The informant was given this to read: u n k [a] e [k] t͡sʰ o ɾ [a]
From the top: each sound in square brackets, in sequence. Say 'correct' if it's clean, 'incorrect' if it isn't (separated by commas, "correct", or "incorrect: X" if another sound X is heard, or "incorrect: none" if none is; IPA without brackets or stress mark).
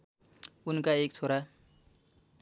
correct, correct, correct